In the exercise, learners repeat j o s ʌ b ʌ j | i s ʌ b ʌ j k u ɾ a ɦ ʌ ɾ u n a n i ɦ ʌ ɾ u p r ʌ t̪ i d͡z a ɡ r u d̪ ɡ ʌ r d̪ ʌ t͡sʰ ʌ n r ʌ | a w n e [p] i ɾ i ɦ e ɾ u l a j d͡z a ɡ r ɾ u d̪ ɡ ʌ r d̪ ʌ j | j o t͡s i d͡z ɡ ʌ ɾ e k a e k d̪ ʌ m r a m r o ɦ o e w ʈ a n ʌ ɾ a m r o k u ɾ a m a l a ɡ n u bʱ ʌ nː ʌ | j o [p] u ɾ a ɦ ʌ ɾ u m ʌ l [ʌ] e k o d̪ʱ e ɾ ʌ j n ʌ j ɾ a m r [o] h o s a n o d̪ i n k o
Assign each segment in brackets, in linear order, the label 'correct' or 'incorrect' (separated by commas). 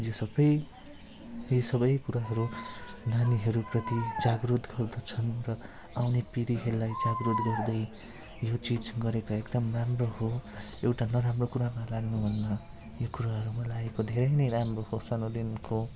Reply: correct, incorrect, incorrect, correct